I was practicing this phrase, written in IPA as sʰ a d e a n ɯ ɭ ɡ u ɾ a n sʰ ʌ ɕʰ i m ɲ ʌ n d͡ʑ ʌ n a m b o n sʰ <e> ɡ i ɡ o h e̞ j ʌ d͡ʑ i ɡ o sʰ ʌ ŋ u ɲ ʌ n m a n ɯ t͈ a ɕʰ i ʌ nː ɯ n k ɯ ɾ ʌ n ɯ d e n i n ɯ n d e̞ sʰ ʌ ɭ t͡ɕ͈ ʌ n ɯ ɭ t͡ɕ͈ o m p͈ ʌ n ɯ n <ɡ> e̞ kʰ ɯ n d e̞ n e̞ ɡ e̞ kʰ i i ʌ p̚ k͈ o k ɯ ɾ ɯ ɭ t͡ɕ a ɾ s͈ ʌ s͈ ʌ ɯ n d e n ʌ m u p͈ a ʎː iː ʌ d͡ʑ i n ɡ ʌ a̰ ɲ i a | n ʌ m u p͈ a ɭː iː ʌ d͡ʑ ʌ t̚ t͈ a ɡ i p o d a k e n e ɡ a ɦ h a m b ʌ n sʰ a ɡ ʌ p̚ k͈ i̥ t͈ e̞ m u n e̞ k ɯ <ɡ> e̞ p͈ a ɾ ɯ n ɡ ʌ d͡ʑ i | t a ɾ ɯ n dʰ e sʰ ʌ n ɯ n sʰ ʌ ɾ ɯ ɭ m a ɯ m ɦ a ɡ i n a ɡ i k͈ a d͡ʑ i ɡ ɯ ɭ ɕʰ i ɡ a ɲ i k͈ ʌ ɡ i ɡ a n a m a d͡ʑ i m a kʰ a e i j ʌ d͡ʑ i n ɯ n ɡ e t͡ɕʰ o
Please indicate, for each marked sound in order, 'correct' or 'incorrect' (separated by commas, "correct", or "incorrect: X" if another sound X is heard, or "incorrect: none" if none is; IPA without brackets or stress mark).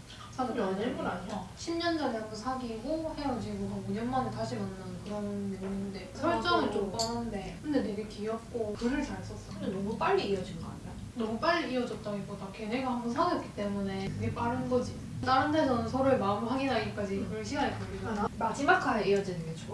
incorrect: a, incorrect: d, correct